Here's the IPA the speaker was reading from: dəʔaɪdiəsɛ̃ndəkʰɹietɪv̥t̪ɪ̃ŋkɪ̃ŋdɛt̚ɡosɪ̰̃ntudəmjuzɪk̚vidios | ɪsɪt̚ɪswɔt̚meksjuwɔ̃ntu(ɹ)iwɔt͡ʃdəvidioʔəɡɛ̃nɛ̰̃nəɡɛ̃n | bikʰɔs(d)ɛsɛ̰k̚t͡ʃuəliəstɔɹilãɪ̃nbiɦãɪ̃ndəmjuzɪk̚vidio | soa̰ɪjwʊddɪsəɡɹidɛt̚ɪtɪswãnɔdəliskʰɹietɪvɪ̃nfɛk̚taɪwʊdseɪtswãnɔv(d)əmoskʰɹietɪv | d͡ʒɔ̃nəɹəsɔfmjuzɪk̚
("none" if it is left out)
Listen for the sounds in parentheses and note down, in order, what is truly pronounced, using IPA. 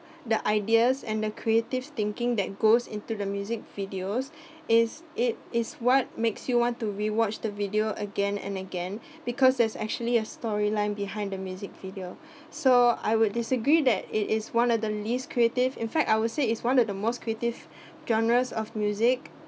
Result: ɹ, d, d

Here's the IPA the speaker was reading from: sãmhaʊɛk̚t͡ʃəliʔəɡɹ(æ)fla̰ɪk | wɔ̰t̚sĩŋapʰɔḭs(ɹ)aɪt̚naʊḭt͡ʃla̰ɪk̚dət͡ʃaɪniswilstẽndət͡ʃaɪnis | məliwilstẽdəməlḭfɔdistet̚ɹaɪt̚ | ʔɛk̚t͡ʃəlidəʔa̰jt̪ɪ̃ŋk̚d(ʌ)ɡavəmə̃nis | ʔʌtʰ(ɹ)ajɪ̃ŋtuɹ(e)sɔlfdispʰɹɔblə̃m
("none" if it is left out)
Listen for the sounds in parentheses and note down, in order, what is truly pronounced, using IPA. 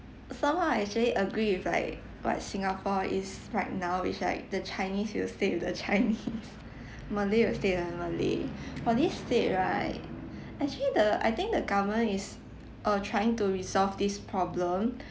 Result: i, ɹ, ə, ɹ, i

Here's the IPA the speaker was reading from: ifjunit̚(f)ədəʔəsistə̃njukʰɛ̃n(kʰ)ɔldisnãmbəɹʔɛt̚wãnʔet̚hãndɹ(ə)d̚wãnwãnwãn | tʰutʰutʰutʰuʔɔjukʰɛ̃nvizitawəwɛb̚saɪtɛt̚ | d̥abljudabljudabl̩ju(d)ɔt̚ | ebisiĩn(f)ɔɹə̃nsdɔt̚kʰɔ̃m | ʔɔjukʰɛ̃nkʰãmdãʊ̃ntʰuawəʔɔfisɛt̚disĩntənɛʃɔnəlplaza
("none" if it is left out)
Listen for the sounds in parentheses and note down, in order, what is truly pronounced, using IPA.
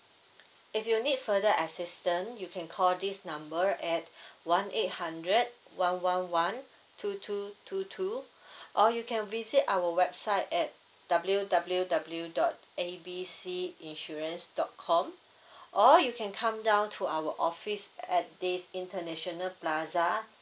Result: f, kʰ, ə, d, ʃ

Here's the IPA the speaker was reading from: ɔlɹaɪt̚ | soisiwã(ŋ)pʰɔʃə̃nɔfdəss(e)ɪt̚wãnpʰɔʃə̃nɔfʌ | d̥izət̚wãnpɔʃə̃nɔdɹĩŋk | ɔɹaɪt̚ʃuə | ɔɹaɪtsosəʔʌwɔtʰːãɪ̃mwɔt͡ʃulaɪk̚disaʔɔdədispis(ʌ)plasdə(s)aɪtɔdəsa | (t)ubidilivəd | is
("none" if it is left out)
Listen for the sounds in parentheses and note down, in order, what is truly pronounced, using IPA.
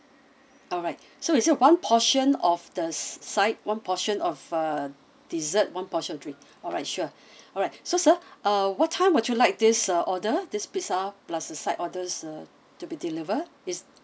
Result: n, a, a, s, t

